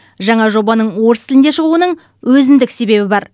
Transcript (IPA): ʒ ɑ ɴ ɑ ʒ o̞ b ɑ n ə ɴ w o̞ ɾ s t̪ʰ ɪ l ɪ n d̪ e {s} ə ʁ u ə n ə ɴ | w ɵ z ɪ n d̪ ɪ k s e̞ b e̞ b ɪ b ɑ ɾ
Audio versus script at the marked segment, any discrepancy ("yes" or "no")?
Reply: yes